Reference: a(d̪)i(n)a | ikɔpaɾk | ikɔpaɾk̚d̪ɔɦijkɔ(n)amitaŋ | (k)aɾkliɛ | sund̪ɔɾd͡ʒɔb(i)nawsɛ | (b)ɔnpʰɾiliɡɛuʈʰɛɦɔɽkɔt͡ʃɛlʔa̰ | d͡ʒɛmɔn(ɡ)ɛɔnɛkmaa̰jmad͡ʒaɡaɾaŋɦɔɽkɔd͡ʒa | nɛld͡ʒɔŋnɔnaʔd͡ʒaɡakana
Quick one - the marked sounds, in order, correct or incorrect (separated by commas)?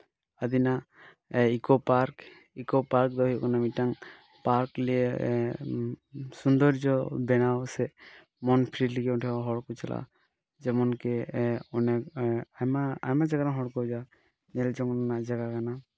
correct, correct, correct, incorrect, incorrect, incorrect, incorrect